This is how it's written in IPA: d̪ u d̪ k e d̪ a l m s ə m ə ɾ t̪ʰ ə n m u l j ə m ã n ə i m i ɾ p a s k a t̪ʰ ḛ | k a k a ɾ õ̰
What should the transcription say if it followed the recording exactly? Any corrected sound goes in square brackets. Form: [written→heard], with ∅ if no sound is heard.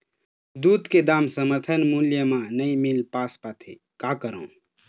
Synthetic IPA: d̪ u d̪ k e d̪ a [l→∅] m s ə m ə ɾ t̪ʰ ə n m u l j ə m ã n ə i m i [ɾ→l] p a s [k→p] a t̪ʰ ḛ | k a k [a→ə] ɾ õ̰